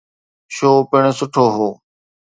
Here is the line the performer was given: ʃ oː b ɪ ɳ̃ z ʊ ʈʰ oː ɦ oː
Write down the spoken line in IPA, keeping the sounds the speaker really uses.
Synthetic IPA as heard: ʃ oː p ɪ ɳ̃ s ʊ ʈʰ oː ɦ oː